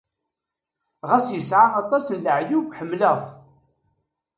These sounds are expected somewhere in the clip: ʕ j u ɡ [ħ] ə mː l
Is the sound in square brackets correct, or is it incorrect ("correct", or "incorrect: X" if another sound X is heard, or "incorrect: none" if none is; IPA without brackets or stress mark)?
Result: correct